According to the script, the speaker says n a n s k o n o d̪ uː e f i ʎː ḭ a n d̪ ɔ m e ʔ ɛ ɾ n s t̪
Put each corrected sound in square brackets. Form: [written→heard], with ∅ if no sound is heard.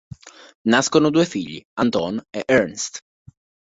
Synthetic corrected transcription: n a [n→∅] s k o n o d̪ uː e f i ʎː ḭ a n [d̪→t̪] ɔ [m→n] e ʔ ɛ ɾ n s t̪